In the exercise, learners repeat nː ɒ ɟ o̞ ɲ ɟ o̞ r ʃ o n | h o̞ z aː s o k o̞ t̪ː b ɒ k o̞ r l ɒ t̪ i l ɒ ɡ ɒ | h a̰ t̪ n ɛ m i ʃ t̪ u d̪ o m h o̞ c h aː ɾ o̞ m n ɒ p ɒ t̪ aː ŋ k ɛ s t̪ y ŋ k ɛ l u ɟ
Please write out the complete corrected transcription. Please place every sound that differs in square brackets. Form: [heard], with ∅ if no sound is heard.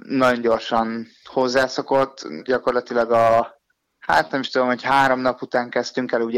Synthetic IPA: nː ɒ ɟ o̞ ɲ ɟ o̞ r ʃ [ɒ] n | h o̞ [zː] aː s o k o̞ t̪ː [ɟ] ɒ k o̞ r l ɒ t̪ i l ɒ ɡ ɒ | h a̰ t̪ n ɛ m i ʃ t̪ u d̪ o m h o̞ c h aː ɾ o̞ m n ɒ p [u] t̪ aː ŋ k ɛ s t̪ y ŋ k ɛ l u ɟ